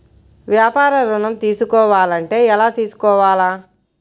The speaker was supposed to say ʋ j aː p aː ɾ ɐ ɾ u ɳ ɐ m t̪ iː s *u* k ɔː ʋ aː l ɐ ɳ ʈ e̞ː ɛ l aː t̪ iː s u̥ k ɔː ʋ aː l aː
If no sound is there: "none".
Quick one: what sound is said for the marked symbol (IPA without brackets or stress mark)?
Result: u